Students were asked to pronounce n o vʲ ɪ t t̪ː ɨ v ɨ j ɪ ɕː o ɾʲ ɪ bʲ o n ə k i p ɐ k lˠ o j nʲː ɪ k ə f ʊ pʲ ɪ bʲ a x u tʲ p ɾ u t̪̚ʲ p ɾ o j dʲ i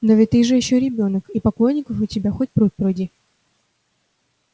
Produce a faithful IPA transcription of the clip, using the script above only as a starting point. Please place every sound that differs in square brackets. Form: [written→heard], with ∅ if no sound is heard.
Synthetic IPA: n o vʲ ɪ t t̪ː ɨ [v→ʐ] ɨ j ɪ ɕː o ɾʲ ɪ bʲ o n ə k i p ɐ k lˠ o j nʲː ɪ k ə f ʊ [pʲ→tʲ] ɪ bʲ a x [u→o] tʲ p ɾ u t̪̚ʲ p ɾ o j dʲ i